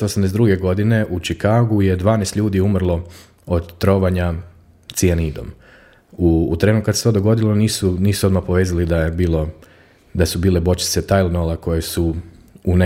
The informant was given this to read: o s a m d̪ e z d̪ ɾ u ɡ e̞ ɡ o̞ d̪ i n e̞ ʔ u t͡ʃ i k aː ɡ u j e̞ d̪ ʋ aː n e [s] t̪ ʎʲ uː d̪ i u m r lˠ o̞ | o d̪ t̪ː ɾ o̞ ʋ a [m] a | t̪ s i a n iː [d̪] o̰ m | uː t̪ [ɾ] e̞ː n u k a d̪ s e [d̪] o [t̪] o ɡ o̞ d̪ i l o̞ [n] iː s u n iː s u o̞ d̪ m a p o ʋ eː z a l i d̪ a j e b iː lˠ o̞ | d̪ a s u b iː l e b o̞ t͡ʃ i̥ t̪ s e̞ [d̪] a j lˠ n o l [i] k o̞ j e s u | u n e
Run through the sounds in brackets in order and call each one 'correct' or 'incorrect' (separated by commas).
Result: correct, incorrect, correct, correct, incorrect, incorrect, correct, incorrect, incorrect